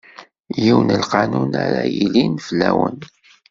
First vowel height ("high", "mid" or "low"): high